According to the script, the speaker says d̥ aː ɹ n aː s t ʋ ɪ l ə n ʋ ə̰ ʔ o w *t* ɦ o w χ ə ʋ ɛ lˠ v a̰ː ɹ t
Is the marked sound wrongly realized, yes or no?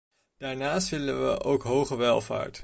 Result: yes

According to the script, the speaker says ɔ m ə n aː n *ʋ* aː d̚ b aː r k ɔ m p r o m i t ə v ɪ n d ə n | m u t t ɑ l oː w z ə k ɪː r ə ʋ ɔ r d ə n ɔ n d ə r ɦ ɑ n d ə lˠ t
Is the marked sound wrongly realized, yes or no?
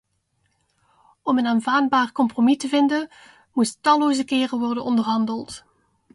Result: yes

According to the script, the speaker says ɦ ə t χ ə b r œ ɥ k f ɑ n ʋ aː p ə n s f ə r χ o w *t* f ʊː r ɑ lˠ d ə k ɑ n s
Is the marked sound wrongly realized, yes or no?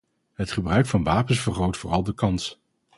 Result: no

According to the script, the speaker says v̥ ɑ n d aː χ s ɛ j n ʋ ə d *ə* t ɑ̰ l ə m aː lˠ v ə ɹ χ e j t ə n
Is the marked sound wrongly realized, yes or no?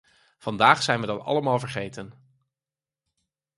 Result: yes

